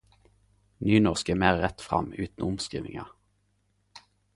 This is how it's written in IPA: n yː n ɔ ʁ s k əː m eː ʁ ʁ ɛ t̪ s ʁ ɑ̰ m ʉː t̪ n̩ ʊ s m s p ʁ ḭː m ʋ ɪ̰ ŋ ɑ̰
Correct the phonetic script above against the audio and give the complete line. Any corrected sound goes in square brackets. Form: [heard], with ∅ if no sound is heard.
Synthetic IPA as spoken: n yː n ɔ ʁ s k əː m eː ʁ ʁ ɛ t̪ [f] ʁ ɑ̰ m ʉː t̪ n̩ ʊ [∅] m s [k] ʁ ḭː [∅] ʋ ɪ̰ ŋ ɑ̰